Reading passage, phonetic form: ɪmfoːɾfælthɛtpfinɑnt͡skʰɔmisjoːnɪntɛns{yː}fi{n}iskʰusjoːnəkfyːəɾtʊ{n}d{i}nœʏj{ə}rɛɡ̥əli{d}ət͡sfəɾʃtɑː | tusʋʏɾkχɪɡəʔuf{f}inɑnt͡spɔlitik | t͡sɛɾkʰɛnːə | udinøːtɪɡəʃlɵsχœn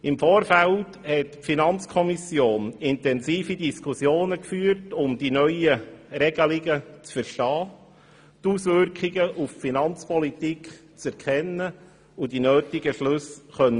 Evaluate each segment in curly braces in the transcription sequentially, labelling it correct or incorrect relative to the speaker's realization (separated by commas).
incorrect, incorrect, incorrect, correct, correct, incorrect, correct